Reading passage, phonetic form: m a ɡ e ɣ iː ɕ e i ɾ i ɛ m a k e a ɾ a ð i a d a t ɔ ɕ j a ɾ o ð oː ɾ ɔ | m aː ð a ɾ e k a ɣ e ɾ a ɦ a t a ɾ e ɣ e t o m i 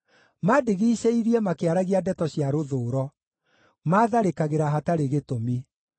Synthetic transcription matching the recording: m a d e ɣ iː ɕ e i ɾ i ɛ m a k e a ɾ a ɣ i a d ɛ t ɔ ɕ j a ɾ o ð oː ɾ ɔ | m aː ð a ɾ e k a ɣ e ɾ a ɦ a t a ɾ e ɣ e t o m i